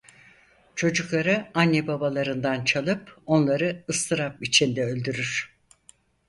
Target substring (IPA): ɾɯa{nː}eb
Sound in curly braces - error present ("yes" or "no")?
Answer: no